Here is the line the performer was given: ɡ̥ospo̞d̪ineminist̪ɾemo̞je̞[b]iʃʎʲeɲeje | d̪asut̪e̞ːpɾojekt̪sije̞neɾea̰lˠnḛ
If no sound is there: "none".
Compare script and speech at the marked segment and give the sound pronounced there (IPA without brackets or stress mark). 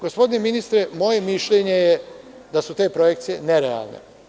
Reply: m